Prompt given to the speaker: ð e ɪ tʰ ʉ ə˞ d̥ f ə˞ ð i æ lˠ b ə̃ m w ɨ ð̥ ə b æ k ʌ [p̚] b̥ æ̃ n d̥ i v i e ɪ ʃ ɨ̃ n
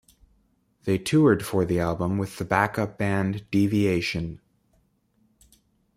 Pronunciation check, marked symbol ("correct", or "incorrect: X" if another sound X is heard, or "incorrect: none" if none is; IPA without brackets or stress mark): correct